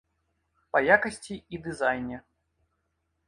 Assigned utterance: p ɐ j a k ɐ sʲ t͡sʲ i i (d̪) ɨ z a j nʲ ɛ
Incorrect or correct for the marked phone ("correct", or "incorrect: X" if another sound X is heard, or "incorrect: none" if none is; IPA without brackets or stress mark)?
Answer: correct